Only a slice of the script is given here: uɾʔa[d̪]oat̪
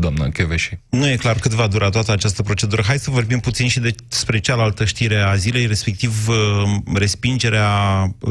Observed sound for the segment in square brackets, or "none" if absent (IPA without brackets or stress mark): t̪